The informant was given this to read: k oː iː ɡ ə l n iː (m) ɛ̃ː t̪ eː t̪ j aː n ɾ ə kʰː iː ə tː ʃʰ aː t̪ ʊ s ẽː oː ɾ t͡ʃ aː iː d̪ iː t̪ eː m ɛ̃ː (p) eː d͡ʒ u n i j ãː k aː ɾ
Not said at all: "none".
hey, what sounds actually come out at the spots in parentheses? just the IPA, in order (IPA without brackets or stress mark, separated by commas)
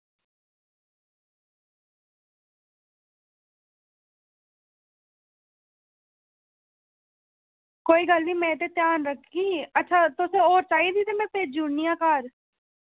m, p